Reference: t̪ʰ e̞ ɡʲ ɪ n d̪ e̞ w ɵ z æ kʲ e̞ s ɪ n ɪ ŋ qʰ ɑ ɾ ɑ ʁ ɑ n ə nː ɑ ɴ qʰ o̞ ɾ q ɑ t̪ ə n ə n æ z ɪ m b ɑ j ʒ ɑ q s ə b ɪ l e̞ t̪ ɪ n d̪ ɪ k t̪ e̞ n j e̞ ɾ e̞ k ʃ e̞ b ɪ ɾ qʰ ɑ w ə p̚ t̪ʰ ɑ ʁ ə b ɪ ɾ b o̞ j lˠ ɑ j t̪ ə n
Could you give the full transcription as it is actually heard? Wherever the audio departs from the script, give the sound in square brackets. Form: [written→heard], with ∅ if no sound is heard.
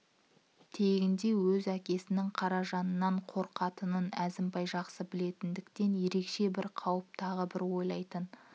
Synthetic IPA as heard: t̪ʰ e̞ ɡʲ ɪ n d̪ e̞ w ɵ z æ kʲ e̞ s ɪ n ɪ ŋ qʰ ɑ ɾ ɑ [ʁ→ʒ] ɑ n ə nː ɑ ɴ qʰ o̞ ɾ q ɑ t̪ ə n ə n æ z ɪ m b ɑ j ʒ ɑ q s ə b ɪ l e̞ t̪ ɪ n d̪ ɪ k t̪ e̞ n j e̞ ɾ e̞ k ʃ e̞ b ɪ ɾ qʰ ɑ w ə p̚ t̪ʰ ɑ ʁ ə b ɪ ɾ [b→w] o̞ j lˠ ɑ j t̪ ə n